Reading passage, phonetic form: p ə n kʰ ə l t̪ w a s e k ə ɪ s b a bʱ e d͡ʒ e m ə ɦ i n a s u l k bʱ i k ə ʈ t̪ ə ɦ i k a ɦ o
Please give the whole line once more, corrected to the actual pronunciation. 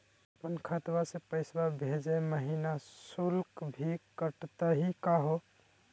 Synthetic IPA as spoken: p ə n kʰ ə t̪ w a s e p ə ɪ s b a bʱ e d͡ʒ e m ə ɦ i n a s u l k bʱ i k ə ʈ t̪ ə ɦ i k a ɦ o